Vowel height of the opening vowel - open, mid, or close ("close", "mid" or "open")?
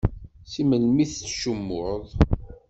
close